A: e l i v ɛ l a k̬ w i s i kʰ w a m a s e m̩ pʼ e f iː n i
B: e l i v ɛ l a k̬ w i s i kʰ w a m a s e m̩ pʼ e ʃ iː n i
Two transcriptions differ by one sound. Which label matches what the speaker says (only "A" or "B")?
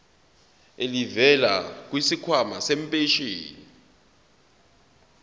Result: B